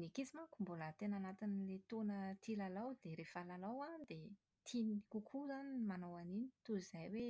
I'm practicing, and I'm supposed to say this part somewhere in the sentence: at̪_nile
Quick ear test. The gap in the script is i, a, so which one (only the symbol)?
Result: i